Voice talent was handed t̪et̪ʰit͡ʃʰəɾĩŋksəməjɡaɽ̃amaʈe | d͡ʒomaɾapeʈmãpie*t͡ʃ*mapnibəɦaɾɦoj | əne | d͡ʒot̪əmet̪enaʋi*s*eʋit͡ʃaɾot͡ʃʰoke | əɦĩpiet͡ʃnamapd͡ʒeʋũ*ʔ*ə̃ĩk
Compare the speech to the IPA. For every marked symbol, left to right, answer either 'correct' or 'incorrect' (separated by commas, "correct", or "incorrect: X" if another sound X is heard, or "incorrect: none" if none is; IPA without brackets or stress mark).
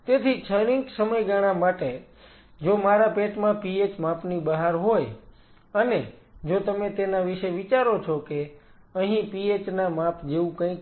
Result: correct, incorrect: ʃ, incorrect: k